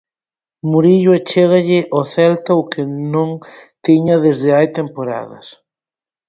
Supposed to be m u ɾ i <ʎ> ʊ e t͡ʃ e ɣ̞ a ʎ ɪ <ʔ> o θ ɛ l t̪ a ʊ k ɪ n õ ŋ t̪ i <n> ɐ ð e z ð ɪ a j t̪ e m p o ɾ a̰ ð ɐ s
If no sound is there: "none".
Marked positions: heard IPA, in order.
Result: ʎ, ʔ, ɲ

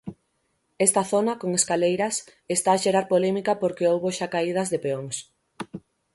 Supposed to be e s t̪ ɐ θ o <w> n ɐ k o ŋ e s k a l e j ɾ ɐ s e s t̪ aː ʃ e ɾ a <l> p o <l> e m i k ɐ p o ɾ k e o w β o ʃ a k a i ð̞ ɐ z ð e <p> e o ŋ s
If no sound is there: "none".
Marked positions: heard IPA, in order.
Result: none, ɾ, l, p

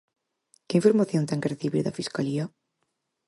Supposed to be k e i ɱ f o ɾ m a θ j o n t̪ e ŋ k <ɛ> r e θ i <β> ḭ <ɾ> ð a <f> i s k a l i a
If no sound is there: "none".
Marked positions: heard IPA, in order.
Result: e, β, ɾ, f

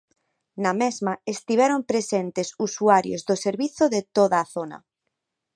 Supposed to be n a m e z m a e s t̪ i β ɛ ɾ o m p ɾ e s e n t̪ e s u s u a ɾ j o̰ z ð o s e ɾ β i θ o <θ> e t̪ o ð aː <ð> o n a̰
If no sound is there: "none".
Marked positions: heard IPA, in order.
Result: ð, θ

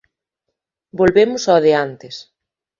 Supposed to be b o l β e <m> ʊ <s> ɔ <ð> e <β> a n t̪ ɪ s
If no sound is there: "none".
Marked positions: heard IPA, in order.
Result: m, s, ð, none

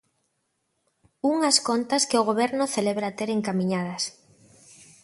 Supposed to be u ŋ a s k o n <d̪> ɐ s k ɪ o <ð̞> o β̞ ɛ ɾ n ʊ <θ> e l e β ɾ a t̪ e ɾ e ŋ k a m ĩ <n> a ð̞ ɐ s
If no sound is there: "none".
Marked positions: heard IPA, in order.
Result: t̪, ɣ̞, θ, ɲ

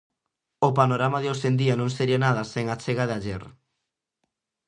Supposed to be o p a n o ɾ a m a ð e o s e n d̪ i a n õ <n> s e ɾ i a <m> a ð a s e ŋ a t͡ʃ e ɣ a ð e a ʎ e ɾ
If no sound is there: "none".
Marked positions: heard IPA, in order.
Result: ŋ, n

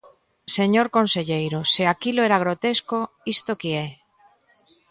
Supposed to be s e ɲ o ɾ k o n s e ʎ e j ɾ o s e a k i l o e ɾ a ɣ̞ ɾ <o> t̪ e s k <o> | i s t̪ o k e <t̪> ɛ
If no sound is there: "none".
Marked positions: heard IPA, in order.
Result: o, o, none

